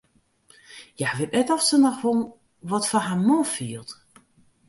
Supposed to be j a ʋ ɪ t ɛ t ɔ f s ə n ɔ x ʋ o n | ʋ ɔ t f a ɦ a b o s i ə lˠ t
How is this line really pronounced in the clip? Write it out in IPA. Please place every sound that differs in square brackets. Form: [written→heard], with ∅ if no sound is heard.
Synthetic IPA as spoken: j a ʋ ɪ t ɛ t ɔ f s ə n ɔ x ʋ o n | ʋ ɔ t f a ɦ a [b→m] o [s→f] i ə lˠ t